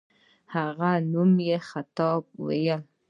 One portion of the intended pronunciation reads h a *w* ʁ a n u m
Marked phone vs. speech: incorrect: none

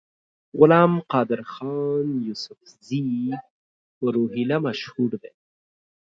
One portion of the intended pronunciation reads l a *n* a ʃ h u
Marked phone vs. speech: incorrect: m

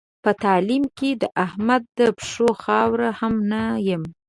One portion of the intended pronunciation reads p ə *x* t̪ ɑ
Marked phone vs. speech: incorrect: none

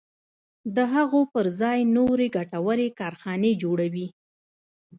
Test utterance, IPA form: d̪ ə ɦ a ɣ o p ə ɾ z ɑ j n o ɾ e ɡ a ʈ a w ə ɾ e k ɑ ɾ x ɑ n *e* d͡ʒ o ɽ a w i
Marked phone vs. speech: correct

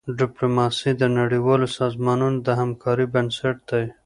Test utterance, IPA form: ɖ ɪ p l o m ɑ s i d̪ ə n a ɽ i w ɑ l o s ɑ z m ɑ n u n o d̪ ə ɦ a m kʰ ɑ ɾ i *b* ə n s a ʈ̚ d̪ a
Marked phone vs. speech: correct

